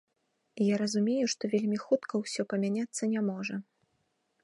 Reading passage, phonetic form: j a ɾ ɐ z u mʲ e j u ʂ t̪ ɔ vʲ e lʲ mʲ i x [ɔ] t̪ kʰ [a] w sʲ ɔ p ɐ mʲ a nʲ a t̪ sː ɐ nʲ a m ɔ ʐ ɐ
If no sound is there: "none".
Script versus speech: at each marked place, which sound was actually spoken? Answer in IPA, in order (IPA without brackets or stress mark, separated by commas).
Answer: u, ɐ